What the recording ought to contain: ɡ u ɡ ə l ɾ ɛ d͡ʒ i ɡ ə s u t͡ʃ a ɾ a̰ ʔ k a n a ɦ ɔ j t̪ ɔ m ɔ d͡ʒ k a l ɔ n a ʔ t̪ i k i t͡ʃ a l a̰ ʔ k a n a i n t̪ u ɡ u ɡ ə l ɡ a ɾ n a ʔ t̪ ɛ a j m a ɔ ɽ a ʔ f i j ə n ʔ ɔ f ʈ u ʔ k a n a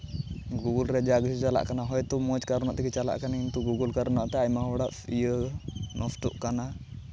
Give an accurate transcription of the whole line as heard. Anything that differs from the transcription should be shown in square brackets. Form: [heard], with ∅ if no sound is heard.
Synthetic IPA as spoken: ɡ u ɡ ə l ɾ ɛ d͡ʒ [a] ɡ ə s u t͡ʃ a [l] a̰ ʔ k a n a ɦ ɔ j t̪ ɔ m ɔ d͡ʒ k a [ɾ] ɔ n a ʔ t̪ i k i t͡ʃ a l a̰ ʔ k a n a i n t̪ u ɡ u ɡ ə l [k] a ɾ n a ʔ t̪ ɛ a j m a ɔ ɽ a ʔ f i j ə n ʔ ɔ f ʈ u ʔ k a n a

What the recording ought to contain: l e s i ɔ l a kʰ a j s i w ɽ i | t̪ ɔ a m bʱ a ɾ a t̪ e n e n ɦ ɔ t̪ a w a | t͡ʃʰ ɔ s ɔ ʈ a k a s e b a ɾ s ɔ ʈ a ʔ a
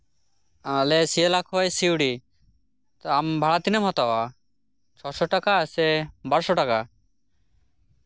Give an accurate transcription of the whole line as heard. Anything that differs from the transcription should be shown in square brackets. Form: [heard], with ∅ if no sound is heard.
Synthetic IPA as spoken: l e s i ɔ l a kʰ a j s i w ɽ i | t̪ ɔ a m bʱ a [ɭ] a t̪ [i] n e [m] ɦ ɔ t̪ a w a | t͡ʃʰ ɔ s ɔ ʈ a k a s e b a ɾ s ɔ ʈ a [k] a

